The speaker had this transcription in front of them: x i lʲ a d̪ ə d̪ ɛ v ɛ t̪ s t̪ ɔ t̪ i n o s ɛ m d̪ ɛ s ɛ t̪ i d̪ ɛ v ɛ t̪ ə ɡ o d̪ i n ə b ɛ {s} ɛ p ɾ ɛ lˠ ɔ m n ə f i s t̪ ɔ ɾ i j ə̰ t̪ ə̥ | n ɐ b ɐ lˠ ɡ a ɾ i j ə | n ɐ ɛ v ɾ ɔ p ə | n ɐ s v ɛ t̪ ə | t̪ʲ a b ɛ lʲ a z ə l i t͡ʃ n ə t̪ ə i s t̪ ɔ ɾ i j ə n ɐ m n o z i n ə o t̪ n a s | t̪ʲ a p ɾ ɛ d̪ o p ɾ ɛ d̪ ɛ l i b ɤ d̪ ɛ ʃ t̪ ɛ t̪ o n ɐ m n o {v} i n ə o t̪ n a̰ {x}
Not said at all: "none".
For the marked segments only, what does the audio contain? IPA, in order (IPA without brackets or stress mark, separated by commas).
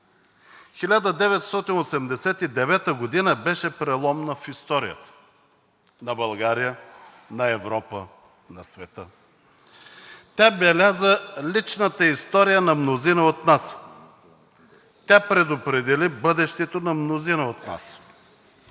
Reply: ʃ, z, s